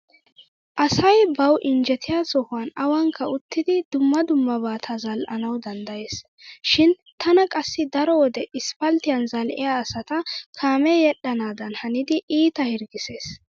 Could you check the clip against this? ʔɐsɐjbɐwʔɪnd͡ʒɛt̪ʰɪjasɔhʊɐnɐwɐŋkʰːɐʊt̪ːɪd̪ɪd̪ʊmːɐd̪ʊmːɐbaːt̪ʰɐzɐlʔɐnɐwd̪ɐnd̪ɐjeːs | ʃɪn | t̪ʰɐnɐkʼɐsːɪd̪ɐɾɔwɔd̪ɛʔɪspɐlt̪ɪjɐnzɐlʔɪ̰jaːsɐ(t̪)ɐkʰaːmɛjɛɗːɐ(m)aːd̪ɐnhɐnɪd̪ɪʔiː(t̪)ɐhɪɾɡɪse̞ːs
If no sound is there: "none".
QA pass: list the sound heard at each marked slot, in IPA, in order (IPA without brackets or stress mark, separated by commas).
t̪, n, t̪